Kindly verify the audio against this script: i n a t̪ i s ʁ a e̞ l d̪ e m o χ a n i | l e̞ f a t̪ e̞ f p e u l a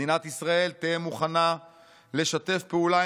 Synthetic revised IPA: i n a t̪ i s ʁ a e̞ l t̪ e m u χ a n a | l e̞ ʃ a t̪ e̞ f p e u l a

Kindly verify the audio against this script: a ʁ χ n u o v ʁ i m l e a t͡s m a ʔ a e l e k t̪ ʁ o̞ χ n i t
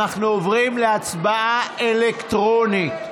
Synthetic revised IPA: a χ n u o v ʁ i m l e a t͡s b a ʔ a e l e k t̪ ʁ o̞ n i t

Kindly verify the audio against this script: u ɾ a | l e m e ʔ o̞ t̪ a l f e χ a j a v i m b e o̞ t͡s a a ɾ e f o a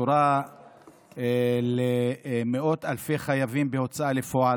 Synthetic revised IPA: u ɾ a | l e m e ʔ o̞ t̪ a l f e χ a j a v i m b e o̞ t͡s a a l e f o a

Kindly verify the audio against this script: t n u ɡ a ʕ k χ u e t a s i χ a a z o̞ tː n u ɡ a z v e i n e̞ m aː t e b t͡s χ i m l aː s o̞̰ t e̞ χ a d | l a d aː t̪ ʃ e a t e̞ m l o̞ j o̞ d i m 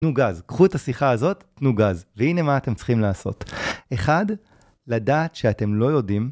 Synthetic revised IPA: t n u ɡ a z k χ u e t a s i χ a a z o̞ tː n u ɡ a z v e i n e̞ m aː t e m t͡s χ i m l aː s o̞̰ t e̞ χ a d | l a d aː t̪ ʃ e a t e̞ m l o̞ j o̞ d i m

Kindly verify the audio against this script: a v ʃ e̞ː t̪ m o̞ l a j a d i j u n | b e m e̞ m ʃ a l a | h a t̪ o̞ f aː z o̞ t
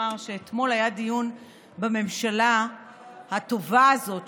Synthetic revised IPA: a ʁ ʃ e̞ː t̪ m o̞ l a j a d i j u n | b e m e̞ m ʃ a l a | h a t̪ o̞ v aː z o̞ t

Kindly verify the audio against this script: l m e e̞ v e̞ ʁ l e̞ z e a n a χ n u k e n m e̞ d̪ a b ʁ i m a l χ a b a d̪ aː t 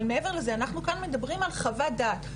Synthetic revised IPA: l m e e̞ v e̞ ʁ l e̞ z e a n a χ n u k a n m e̞ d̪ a b ʁ i m a l χ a v a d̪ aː t

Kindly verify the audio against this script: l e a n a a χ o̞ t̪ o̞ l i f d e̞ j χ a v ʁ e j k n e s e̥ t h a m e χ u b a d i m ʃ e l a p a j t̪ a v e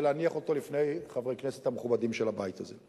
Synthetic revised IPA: l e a n i a χ o̞ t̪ o̞ l i f n e̞ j χ a v ʁ e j k n e s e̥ t h a m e χ u b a d i m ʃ e l a b a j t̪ a z e

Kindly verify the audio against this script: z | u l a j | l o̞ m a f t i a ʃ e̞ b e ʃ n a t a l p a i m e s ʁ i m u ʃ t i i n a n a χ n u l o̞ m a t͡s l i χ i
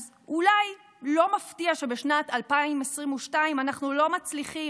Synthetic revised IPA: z | u l a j | l o̞ m a f t i a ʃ e̞ b e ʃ n a t a l p a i m e s ʁ i m u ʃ t a i m a n a χ n u l o̞ m a t͡s l i χ i

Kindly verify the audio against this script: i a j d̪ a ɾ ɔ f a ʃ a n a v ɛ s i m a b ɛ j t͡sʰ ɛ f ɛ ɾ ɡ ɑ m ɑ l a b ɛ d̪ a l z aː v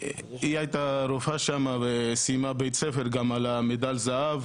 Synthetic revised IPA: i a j t̪ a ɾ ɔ f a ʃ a m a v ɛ s i m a b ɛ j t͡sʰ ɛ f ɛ ɾ ɡ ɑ m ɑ l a m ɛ d̪ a l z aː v

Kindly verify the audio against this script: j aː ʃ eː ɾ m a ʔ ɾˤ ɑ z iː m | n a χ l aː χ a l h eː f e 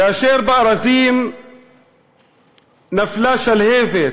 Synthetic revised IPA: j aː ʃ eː ɾ b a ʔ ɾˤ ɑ z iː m | n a f l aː ʃ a l h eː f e

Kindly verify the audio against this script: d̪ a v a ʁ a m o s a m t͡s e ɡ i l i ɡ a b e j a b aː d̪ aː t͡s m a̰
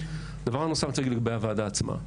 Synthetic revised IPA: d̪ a v a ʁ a n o s a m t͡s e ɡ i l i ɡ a b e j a v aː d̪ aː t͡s m a̰

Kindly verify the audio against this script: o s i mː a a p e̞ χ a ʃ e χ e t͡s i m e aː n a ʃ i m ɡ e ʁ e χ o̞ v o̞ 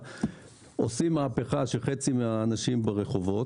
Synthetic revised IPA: o s i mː a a p e̞ χ a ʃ e χ e t͡s i m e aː n a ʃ i m b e ʁ e χ o̞ v o̞

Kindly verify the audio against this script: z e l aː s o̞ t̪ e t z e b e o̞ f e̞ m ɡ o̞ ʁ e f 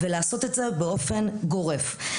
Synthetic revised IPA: v e l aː s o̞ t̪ e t z e b e o̞ f e̞ n ɡ o̞ ʁ e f

